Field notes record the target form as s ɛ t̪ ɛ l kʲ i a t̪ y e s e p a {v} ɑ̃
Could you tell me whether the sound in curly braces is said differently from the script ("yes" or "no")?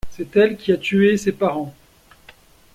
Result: yes